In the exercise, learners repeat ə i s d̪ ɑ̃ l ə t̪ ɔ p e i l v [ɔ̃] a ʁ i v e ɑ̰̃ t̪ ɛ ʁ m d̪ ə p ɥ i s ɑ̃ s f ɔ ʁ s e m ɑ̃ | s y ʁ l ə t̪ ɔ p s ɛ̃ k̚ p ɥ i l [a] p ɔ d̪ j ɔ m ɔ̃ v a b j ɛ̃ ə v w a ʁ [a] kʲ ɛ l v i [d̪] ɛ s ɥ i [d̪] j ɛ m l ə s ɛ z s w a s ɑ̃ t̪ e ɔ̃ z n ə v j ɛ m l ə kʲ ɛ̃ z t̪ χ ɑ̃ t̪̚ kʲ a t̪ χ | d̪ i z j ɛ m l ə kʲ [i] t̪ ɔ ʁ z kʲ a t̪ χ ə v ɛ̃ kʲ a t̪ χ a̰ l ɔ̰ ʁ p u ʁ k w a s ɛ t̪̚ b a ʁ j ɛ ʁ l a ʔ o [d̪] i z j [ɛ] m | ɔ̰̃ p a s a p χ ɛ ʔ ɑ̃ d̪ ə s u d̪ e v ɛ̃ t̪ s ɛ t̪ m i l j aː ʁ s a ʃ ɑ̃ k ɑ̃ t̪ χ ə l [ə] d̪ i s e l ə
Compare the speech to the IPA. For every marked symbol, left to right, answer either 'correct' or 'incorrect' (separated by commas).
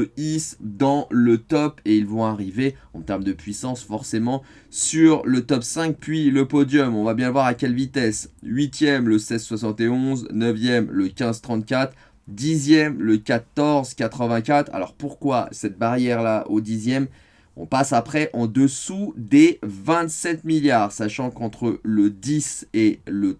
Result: correct, incorrect, correct, incorrect, incorrect, incorrect, correct, correct, correct